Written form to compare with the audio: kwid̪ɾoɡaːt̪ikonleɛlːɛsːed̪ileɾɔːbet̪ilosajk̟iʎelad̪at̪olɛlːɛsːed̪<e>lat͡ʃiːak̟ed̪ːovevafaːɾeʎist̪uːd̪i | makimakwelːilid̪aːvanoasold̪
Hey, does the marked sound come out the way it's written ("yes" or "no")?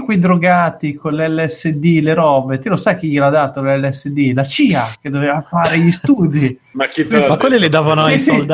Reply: no